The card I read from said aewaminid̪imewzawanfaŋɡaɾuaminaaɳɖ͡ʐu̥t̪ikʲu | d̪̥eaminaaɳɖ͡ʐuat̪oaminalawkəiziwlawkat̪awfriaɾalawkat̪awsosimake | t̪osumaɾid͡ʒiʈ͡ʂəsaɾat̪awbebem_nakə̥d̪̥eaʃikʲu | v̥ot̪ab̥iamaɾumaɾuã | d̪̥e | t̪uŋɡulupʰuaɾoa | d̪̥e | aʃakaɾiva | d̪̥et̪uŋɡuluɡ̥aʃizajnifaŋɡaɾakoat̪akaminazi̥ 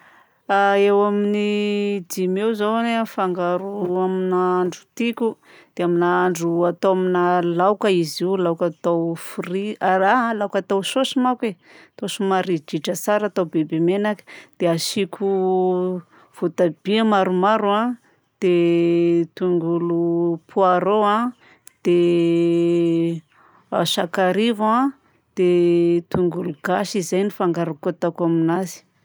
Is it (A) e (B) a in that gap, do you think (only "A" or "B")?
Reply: A